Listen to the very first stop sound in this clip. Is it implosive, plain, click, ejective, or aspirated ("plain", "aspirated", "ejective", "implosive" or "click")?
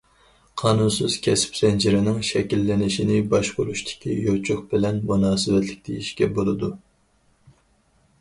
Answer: aspirated